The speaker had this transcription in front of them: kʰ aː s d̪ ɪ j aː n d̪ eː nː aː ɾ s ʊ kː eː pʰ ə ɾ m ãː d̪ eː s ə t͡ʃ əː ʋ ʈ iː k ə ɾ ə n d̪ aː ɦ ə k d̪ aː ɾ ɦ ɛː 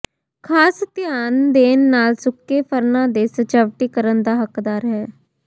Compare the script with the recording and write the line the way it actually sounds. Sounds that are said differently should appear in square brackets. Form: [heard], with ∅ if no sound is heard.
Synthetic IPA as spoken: kʰ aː s [t̪] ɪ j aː n d̪ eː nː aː [l] s ʊ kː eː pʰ ə ɾ [n] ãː d̪ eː s ə t͡ʃ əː ʋ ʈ iː k ə ɾ ə n d̪ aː ɦ ə k d̪ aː ɾ ɦ ɛː